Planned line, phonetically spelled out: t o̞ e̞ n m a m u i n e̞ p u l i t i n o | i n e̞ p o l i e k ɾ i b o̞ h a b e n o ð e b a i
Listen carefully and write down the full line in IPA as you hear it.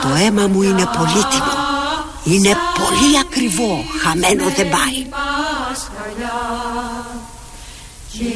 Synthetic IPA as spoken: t o̞ e̞ m a m u i n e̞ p o l i t i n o | i n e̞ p o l i a k ɾ i v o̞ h a m e n o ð e b a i